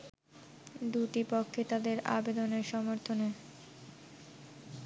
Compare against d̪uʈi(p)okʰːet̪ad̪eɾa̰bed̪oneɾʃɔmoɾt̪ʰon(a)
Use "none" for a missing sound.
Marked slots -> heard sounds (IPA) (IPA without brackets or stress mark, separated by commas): p, e